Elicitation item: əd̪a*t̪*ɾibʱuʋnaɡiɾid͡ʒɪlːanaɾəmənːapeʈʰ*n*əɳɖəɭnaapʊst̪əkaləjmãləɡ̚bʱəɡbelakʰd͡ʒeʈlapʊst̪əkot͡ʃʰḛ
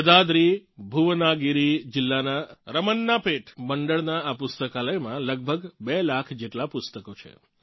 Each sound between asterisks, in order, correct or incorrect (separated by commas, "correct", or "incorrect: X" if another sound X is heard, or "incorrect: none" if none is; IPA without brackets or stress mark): incorrect: d̪, incorrect: m